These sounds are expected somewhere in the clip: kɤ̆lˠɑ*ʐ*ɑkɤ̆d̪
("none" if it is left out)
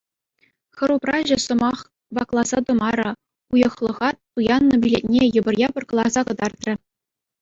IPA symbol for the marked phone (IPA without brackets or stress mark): z